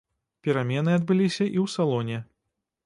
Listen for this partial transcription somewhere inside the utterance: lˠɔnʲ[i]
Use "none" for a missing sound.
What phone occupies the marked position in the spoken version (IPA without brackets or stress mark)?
ɛ